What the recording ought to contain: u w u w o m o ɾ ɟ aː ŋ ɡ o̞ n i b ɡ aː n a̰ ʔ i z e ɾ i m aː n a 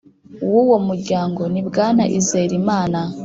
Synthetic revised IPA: u w u w o m u ɾ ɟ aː ŋ ɡ o̞ n i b ɡ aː n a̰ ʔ i z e ɾ i m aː n a